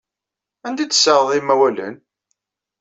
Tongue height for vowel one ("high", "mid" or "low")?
low